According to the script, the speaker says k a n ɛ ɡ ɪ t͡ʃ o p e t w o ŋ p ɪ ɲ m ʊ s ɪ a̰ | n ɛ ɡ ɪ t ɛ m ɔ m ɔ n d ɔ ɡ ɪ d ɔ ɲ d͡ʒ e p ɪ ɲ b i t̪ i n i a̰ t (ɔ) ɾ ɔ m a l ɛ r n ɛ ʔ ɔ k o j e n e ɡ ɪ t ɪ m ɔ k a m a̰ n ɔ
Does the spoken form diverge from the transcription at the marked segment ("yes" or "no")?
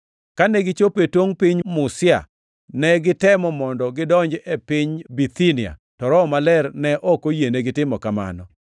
no